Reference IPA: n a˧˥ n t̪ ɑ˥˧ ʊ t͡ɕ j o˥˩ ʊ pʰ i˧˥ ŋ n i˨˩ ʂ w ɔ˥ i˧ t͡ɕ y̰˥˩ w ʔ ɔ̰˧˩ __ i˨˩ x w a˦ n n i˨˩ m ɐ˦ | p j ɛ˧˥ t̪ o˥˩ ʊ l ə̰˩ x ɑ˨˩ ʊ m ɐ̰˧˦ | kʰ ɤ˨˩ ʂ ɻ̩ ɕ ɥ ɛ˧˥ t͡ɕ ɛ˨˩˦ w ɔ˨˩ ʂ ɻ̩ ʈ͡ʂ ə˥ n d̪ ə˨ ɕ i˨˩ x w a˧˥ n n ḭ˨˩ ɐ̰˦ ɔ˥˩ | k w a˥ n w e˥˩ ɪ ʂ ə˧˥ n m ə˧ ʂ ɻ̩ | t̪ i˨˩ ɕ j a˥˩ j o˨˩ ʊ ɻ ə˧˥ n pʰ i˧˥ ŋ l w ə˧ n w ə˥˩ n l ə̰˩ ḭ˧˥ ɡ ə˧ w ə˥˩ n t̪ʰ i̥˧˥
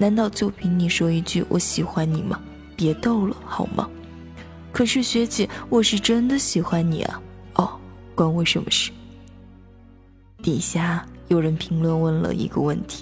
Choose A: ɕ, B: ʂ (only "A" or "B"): A